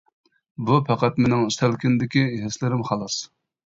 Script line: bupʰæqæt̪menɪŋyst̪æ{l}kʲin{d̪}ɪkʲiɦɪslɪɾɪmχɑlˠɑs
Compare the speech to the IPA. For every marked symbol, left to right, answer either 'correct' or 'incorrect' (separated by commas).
correct, correct